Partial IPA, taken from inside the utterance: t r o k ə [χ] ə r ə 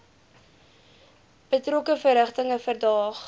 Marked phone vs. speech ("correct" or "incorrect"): incorrect